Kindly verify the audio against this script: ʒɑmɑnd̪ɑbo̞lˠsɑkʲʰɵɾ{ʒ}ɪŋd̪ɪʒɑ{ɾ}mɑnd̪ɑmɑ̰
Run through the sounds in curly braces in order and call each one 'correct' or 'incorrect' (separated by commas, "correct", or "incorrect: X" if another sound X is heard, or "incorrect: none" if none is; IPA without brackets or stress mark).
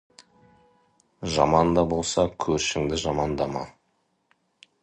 incorrect: ʃ, incorrect: none